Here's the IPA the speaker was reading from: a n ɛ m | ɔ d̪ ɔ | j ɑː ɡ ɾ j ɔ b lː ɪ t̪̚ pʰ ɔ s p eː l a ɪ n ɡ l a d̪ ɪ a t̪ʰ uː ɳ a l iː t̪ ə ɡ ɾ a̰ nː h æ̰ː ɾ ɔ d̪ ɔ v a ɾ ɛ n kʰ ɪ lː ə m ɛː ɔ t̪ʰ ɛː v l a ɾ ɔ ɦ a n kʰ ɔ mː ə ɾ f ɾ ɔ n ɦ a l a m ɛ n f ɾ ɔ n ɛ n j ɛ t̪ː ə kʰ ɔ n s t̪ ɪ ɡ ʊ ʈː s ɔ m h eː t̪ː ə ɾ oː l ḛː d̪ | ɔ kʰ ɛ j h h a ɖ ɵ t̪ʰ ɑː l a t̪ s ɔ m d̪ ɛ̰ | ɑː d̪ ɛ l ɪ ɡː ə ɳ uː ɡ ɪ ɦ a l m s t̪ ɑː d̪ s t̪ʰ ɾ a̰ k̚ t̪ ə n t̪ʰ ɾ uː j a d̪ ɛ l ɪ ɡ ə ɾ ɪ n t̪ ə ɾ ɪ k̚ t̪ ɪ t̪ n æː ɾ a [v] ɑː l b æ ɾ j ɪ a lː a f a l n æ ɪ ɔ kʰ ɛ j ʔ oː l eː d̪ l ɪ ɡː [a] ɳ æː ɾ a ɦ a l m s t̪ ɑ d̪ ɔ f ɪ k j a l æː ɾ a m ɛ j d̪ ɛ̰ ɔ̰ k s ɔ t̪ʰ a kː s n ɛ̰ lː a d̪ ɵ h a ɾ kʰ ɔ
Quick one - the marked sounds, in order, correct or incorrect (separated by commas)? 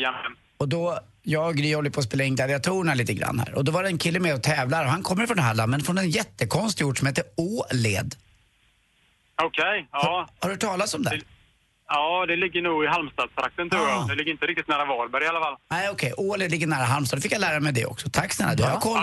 correct, incorrect